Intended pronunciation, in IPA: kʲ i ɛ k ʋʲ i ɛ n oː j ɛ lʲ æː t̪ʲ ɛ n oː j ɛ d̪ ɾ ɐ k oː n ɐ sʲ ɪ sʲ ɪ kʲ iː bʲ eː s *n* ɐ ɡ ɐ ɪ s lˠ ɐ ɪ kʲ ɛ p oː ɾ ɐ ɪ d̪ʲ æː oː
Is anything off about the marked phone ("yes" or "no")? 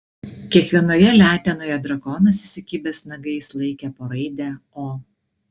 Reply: no